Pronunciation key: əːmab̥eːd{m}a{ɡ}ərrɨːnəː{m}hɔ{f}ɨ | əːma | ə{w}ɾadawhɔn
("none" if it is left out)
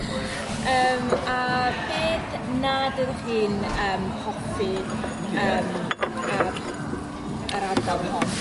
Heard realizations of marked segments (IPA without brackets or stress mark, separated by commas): n, d, m, f, none